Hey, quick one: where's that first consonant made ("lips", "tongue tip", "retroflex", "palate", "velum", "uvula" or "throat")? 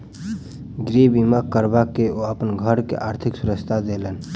velum